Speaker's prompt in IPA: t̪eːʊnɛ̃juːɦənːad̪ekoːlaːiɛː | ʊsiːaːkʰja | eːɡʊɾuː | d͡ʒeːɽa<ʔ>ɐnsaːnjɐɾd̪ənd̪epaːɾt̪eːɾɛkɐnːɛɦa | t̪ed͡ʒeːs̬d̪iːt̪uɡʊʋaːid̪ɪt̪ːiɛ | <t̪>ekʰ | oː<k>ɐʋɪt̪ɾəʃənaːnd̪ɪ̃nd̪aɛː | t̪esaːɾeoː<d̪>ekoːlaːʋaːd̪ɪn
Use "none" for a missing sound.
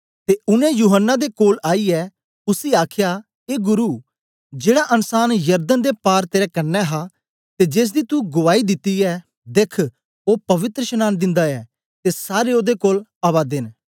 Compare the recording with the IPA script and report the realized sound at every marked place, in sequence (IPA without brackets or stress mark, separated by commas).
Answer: ʔ, d̪, p, d̪